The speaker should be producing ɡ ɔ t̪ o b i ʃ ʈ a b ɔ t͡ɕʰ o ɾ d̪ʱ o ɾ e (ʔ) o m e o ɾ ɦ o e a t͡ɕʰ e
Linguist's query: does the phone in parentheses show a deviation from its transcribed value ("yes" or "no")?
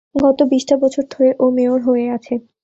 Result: no